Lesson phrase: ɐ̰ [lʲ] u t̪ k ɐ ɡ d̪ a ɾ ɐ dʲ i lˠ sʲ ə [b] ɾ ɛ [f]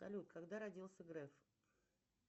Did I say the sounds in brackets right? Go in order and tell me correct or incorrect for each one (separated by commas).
correct, incorrect, correct